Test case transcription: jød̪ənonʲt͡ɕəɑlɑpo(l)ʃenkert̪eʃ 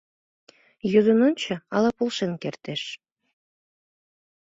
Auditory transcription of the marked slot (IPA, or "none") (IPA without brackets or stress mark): l